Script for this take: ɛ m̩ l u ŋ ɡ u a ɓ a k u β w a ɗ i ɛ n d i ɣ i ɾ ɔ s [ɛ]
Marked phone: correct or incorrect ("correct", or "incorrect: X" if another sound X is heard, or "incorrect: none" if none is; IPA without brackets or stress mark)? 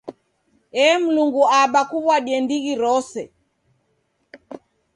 correct